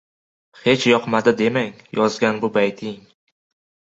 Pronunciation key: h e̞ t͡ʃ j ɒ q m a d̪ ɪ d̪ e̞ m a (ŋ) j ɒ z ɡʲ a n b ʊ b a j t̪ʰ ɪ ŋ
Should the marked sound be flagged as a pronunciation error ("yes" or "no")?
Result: no